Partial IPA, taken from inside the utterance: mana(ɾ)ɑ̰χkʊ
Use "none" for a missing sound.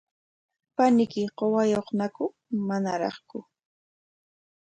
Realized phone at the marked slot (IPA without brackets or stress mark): ɾ